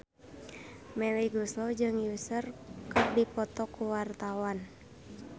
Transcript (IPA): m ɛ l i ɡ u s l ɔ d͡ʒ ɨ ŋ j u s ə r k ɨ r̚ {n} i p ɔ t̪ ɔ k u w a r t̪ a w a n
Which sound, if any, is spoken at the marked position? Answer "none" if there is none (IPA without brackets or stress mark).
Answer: d